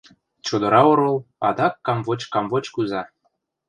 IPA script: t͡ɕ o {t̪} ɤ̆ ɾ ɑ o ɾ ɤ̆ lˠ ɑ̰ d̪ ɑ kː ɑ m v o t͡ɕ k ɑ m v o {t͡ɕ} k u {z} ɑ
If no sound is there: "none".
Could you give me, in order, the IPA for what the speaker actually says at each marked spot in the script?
d̪, t͡ɕ, z

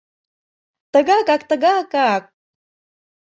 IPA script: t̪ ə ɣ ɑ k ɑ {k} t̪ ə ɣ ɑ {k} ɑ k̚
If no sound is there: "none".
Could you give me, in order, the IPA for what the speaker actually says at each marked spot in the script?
k, k

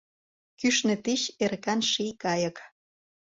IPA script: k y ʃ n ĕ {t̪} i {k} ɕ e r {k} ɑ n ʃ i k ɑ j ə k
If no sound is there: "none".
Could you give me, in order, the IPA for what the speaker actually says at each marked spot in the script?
t̪, none, k

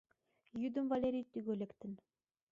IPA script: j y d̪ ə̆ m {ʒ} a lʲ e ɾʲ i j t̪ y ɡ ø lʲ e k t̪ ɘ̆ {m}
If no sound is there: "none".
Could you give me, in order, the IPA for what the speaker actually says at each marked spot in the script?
v, n

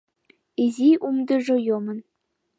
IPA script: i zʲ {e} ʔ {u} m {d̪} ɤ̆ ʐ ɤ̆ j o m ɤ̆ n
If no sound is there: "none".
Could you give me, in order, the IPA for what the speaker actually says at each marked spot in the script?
i, u, d̪

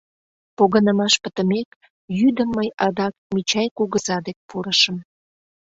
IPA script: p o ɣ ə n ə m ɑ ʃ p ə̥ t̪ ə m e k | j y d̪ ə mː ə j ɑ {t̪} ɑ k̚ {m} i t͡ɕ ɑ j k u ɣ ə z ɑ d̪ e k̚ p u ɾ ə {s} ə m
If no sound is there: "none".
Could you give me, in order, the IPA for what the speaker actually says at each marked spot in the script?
d̪, m, ʃ

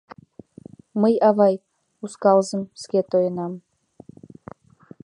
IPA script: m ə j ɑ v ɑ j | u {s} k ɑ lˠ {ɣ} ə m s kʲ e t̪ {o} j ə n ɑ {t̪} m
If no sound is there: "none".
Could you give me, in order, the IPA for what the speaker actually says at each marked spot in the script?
s, z, o, none

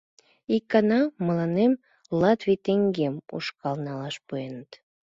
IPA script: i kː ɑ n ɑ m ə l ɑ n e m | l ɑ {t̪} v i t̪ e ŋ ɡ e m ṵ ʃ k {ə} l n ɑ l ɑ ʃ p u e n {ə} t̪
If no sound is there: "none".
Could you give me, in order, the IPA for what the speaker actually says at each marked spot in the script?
t̪, ɑ, ə

